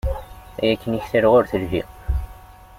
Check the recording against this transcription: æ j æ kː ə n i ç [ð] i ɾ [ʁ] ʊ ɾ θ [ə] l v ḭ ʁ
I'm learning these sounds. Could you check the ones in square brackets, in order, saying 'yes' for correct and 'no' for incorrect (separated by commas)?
no, yes, yes